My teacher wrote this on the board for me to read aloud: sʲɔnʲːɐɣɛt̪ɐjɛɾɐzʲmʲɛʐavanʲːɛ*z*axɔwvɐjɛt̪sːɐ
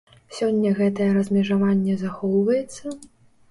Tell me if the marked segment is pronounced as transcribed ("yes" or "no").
yes